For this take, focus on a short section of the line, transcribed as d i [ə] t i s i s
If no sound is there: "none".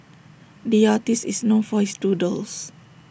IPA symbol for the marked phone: a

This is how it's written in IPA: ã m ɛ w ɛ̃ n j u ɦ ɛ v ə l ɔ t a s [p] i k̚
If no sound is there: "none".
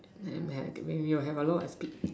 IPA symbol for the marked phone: p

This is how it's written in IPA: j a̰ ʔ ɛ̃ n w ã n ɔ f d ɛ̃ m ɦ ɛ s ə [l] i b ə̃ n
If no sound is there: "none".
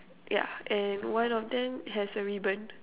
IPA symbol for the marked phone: ɹ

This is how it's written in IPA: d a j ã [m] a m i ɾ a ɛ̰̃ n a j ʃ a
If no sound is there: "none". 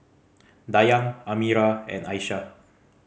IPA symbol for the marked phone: ŋ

